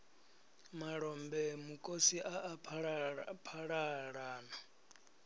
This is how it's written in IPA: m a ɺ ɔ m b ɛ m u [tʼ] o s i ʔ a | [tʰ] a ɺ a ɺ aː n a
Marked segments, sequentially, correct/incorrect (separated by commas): incorrect, incorrect